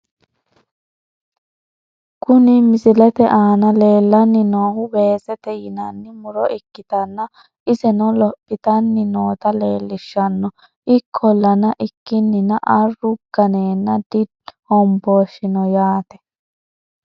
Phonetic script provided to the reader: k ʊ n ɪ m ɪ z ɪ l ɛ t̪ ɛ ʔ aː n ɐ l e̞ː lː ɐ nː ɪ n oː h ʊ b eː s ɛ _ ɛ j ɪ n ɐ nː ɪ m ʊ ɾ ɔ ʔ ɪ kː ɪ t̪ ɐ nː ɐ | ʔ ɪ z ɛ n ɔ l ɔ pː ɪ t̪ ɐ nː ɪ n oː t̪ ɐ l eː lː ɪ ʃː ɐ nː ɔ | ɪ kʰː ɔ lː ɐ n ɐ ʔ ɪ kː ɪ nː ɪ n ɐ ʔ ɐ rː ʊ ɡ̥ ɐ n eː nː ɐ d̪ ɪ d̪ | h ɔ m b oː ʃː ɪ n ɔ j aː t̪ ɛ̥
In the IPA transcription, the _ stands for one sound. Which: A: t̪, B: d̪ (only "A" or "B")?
A